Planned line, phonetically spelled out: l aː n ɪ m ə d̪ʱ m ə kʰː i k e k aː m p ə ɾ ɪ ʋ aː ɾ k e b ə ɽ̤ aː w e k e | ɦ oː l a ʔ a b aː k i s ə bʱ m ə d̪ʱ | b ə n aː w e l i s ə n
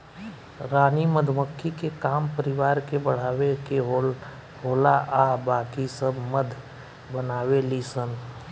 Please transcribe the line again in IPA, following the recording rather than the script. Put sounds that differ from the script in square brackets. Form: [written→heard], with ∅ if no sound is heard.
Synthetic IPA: [l→ɾ] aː n [ɪ→i] m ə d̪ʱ m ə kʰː i k e k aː m p ə ɾ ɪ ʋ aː ɾ k e b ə ɽ̤ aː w e k e | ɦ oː l a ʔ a b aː k i s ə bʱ m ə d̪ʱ | b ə n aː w e l i s ə n